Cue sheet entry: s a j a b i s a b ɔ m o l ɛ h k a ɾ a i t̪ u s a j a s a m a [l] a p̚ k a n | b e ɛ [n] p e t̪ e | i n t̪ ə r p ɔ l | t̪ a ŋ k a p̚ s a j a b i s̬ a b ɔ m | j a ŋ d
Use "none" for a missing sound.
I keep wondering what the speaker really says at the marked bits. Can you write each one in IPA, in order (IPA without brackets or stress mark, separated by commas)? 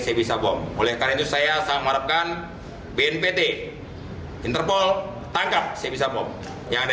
ɾ, n